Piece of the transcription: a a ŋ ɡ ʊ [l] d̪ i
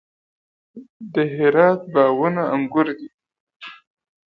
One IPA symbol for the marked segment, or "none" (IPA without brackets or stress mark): ɾ